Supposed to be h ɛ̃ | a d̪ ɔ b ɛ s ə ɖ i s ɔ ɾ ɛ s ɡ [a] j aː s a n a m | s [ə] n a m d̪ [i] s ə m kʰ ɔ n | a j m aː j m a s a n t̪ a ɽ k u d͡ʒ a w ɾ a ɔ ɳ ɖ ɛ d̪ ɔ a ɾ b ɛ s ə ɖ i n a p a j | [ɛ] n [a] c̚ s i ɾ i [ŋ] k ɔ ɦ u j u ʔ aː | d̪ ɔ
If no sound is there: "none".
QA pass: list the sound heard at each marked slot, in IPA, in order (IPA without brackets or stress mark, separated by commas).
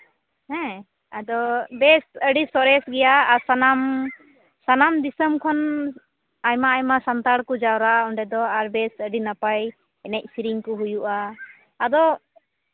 ɛ, a, i, ɛ, ɛ, ŋ